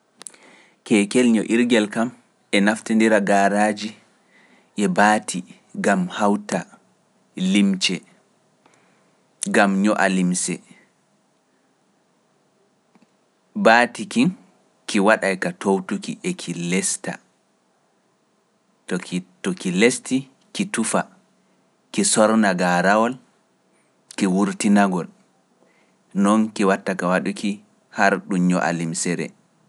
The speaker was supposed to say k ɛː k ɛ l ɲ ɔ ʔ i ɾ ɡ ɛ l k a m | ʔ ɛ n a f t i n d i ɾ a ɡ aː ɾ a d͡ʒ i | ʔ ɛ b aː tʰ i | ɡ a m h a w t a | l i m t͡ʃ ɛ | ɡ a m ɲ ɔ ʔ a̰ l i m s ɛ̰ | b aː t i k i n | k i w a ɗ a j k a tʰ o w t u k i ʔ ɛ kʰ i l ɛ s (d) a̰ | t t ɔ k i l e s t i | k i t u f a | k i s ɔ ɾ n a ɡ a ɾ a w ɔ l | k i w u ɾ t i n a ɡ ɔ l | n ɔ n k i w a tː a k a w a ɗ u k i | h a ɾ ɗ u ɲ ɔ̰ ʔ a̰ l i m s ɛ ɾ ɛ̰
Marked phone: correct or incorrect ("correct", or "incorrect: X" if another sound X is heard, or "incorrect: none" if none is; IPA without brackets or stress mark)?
incorrect: t